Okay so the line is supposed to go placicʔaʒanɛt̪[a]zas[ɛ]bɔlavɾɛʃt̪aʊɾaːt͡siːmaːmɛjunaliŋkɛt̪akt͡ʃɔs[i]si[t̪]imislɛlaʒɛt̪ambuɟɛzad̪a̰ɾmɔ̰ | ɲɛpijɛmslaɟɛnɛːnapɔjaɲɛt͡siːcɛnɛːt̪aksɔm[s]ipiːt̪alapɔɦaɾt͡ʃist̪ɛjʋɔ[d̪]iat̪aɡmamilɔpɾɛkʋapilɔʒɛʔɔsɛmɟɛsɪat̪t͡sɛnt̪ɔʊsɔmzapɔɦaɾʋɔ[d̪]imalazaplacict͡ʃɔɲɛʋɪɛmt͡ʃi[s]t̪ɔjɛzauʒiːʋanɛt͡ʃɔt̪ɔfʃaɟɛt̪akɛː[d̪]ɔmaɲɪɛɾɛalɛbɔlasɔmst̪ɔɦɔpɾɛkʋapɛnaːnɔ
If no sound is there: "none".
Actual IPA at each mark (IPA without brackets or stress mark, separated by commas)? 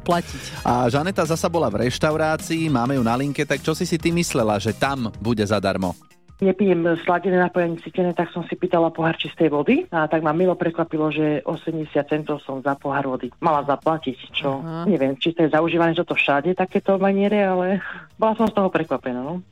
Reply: a, a, i, t̪, s, d̪, d̪, s, t̪